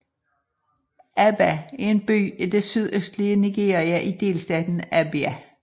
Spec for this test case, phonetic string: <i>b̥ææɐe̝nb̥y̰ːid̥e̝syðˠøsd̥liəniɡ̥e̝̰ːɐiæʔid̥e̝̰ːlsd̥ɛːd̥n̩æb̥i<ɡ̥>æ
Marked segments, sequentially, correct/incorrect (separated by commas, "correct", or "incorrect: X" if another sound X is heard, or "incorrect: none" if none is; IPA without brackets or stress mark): incorrect: æ, incorrect: none